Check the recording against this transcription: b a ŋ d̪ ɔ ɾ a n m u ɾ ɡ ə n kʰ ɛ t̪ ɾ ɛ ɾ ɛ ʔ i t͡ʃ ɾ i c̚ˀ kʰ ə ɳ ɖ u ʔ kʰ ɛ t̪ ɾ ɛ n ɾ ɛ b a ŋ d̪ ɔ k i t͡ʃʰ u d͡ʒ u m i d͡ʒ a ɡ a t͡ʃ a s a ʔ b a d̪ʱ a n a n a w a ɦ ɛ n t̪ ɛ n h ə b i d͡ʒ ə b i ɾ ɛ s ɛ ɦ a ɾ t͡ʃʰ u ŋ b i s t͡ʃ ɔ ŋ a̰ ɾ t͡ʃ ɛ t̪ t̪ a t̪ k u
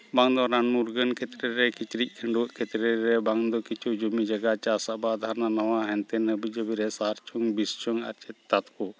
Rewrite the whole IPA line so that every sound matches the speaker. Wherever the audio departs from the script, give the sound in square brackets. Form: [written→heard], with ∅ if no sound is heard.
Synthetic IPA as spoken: b a ŋ d̪ ɔ ɾ a n m u ɾ ɡ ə n kʰ ɛ t̪ ɾ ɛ ɾ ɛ [ʔ→k] i t͡ʃ ɾ i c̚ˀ kʰ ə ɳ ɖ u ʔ kʰ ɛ t̪ ɾ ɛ [n→∅] ɾ ɛ b a ŋ d̪ ɔ k i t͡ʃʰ u d͡ʒ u m i d͡ʒ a ɡ a t͡ʃ a s a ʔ b a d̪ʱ a n a n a w a ɦ ɛ n t̪ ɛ n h ə b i d͡ʒ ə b i ɾ ɛ s [ɛ→a] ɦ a ɾ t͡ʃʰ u ŋ b i s t͡ʃ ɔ ŋ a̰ ɾ t͡ʃ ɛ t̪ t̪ a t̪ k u